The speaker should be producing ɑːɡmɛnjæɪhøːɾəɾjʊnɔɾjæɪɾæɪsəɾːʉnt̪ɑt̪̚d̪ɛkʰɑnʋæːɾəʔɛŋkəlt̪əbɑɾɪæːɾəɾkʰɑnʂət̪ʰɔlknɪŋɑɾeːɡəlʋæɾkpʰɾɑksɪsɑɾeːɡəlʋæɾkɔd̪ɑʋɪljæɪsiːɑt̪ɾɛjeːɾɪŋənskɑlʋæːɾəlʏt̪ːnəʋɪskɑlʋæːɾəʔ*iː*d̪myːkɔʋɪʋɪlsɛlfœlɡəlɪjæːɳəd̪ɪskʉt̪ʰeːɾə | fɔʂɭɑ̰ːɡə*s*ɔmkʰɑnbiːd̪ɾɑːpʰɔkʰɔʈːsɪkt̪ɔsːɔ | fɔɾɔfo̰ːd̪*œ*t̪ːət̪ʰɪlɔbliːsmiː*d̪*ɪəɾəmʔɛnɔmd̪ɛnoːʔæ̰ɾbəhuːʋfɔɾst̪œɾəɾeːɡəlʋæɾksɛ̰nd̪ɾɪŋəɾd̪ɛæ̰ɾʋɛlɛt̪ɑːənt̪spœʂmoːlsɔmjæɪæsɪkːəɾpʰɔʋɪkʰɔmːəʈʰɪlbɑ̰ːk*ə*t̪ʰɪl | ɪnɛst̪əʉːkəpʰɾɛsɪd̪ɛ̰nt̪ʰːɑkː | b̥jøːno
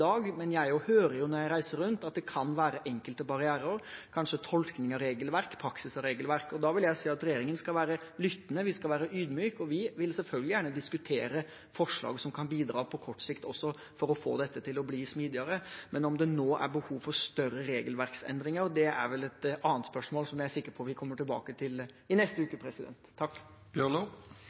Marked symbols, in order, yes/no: no, yes, no, yes, yes

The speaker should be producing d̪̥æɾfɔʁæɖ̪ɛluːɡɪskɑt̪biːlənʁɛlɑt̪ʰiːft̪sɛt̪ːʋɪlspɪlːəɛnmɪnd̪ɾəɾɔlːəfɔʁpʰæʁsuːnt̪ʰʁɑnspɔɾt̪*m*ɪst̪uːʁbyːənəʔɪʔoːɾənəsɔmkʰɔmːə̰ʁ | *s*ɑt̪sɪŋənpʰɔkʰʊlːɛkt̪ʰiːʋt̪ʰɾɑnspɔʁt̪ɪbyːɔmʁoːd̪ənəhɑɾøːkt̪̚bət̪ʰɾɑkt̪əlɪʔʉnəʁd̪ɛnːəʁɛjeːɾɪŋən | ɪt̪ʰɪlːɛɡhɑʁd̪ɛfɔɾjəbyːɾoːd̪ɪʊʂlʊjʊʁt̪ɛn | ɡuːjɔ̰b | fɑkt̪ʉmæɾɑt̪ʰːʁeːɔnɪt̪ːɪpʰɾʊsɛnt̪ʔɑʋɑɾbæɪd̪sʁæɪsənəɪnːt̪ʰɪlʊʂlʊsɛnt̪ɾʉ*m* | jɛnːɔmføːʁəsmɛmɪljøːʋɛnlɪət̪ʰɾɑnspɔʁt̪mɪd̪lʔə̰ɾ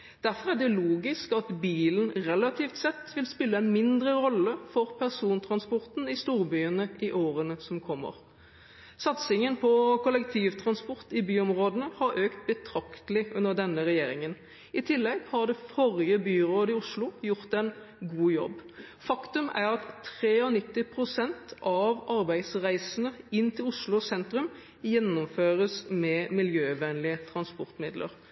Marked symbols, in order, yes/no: no, yes, yes

